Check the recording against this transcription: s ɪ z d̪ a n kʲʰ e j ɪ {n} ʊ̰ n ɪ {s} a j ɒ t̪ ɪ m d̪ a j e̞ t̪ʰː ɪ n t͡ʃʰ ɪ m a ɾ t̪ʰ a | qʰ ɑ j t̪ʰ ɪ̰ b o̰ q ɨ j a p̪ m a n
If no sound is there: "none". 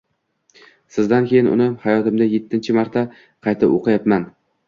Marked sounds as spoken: n, h

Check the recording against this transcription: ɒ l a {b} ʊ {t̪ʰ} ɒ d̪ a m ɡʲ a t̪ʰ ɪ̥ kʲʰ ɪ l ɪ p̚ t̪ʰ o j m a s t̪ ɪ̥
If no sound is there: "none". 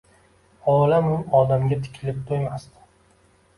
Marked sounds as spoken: m, none

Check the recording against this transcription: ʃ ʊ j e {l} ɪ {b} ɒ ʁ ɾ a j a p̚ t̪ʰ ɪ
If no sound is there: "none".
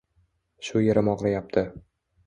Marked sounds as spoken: ɾ, m

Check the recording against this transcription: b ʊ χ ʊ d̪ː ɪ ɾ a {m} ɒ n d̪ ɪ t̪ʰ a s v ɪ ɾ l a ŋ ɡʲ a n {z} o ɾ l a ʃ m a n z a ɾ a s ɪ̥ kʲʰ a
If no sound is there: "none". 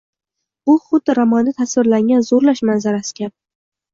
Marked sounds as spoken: m, z

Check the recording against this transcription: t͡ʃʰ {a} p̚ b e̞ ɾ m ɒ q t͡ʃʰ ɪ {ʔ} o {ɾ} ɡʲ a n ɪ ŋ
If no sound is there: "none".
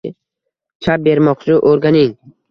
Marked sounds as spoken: a, ʔ, ɾ

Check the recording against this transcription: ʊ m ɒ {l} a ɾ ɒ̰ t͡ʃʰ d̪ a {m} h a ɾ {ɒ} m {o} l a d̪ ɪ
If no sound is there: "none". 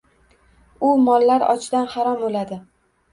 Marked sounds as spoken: lː, n, ɒ, o

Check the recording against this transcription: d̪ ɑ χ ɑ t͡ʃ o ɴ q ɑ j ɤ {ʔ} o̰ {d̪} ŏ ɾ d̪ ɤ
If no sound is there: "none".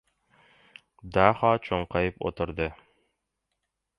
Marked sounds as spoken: p, t̪

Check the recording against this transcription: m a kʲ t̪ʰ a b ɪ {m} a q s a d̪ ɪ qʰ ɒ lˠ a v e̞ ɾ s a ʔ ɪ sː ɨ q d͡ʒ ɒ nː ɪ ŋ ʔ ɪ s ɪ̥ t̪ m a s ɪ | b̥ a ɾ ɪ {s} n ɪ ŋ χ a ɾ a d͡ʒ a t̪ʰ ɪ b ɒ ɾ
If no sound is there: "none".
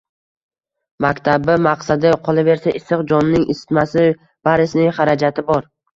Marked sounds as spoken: m, s

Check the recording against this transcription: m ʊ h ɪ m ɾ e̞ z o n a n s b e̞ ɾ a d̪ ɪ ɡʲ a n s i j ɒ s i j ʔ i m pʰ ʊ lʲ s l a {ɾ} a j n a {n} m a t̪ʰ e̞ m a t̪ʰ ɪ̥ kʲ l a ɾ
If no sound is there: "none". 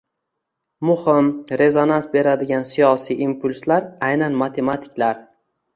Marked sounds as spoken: ɾ, n

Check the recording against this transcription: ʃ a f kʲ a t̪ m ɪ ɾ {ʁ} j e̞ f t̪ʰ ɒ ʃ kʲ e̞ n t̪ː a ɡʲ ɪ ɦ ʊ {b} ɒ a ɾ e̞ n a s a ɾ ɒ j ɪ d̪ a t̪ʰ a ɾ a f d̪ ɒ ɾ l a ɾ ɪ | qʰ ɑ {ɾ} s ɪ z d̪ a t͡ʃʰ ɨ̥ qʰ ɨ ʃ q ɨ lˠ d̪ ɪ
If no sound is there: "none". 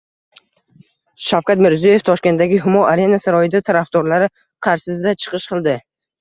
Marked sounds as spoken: z, m, ɾ

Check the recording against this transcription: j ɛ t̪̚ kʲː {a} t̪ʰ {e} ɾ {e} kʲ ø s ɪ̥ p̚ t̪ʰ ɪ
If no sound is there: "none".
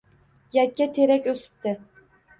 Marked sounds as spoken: ɛ, e, ɛ

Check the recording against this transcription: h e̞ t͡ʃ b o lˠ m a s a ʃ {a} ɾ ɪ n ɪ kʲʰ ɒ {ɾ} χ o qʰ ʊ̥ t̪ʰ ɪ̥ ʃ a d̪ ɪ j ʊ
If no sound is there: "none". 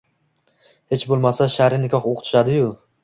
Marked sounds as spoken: a, none

